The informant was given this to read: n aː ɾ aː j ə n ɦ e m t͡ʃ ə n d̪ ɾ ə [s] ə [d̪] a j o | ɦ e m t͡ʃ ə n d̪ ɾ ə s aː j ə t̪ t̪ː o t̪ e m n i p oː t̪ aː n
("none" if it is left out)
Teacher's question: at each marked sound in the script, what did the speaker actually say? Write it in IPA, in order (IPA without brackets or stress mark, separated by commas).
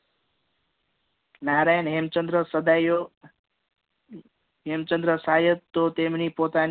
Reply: s, d̪